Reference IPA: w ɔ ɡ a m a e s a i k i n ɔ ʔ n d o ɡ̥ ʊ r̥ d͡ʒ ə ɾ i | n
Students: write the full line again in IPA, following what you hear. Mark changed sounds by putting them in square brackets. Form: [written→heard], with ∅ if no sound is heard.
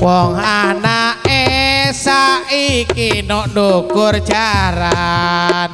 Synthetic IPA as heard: w ɔ [ɡ→ŋ] a [m→n] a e s a i k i n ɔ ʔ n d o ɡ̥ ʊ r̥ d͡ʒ [ə→a] ɾ [i→a] | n